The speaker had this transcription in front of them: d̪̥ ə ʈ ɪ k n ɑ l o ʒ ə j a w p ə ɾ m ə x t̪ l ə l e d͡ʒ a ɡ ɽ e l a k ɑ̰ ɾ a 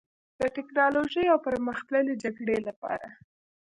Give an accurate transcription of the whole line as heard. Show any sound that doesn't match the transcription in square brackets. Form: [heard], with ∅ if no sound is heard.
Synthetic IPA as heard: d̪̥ ə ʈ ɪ k n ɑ l o ʒ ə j a w p ə ɾ m ə x t̪ l ə l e d͡ʒ a ɡ ɽ e l a [p] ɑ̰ ɾ a